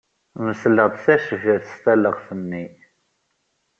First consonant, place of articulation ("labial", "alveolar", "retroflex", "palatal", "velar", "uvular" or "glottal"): labial